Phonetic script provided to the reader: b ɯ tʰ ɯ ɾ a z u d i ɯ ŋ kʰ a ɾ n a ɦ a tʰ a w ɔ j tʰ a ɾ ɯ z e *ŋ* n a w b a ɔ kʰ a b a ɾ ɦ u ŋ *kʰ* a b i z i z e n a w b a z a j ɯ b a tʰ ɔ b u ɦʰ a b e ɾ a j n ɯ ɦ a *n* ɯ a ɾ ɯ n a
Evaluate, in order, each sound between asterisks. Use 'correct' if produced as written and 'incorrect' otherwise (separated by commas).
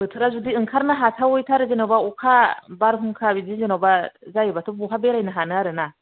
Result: incorrect, correct, correct